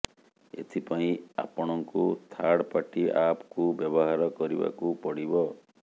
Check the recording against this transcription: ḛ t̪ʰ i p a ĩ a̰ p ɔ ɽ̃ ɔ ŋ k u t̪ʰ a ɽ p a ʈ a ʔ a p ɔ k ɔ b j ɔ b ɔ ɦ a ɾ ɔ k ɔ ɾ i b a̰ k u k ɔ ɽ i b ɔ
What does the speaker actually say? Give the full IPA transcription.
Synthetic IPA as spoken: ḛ t̪ʰ i p a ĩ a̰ p ɔ ɽ̃ ɔ ŋ k u t̪ʰ a ɽ p a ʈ i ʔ a p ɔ k u b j ɔ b ɔ ɦ a ɾ ɔ k ɔ ɾ i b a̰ k u p ɔ ɽ i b ɔ